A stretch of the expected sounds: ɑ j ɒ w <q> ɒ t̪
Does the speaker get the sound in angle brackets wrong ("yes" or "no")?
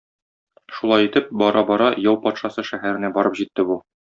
yes